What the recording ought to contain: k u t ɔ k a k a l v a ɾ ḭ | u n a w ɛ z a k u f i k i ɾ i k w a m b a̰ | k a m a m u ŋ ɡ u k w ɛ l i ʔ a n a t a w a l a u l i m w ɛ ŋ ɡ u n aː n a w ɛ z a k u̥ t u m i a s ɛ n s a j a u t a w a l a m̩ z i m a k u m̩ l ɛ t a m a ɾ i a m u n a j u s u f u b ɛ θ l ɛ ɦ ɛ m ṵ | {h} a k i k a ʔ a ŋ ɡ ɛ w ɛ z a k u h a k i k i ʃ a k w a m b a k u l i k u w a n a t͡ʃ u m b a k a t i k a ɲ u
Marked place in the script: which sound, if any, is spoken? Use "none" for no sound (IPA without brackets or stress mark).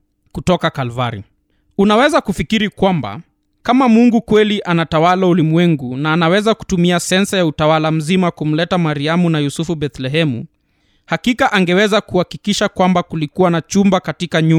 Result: h